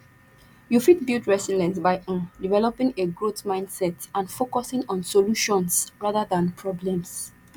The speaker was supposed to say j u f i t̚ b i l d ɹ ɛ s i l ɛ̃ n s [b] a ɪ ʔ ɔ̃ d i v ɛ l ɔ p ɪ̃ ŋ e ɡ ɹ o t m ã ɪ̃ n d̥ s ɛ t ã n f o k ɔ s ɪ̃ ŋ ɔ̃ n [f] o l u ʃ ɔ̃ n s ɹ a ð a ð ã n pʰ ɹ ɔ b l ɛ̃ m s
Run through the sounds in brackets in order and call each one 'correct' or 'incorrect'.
correct, incorrect: s

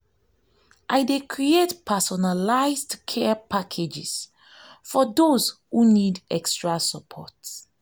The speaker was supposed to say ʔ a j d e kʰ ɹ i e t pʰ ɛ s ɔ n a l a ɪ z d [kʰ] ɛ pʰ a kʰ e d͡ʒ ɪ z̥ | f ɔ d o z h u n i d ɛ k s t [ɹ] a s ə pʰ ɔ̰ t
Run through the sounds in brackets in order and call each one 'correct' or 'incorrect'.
correct, correct

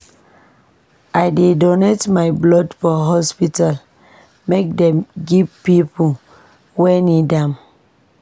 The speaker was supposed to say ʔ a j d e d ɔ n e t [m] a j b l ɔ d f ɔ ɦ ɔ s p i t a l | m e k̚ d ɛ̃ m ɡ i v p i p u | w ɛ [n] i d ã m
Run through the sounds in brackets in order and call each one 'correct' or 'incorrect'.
correct, correct

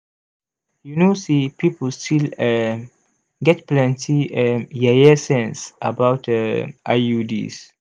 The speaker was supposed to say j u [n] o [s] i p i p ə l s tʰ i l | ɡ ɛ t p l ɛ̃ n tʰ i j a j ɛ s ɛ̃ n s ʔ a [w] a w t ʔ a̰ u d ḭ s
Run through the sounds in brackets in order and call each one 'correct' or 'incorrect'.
correct, correct, incorrect: b

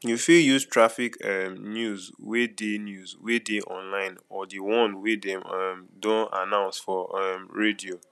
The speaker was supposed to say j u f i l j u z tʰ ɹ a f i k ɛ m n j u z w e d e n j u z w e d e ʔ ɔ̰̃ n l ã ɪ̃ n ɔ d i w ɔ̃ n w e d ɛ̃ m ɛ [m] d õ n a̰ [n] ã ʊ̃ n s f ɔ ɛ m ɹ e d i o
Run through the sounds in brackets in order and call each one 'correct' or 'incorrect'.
correct, correct

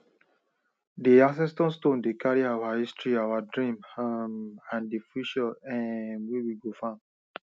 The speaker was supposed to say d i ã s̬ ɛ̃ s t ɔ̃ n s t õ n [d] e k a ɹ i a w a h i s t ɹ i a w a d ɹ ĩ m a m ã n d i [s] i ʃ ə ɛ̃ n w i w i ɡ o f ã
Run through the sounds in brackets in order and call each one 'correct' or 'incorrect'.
correct, incorrect: f

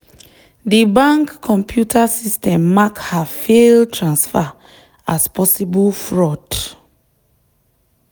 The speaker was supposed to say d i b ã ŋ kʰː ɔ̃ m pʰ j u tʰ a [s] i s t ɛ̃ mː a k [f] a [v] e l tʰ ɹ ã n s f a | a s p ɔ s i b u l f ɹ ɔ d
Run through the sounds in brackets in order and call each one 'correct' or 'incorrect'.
correct, incorrect: h, incorrect: f

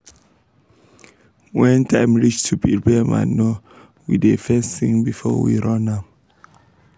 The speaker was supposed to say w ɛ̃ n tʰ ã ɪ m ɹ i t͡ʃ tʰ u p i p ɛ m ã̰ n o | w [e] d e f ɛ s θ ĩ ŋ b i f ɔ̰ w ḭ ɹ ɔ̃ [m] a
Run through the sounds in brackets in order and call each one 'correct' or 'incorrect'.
incorrect: i, incorrect: n

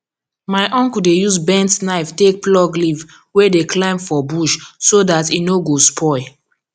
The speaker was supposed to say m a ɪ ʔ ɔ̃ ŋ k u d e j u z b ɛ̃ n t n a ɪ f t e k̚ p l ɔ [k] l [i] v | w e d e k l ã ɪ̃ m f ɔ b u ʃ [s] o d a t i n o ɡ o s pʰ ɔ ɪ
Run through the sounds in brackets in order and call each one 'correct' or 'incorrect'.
incorrect: ɡ, correct, correct

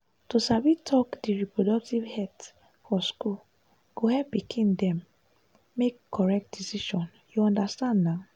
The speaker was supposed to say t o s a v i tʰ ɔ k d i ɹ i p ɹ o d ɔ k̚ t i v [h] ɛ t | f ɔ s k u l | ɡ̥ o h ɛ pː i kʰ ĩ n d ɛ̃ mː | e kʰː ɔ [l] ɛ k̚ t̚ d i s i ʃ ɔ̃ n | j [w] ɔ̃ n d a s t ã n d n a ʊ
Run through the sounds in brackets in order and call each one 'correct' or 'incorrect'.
correct, incorrect: ɹ, incorrect: u

